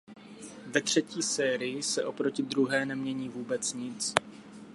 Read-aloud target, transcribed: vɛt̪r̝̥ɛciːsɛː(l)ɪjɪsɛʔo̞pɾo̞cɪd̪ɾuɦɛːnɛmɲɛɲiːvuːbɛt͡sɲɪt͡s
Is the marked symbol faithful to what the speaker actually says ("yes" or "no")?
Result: no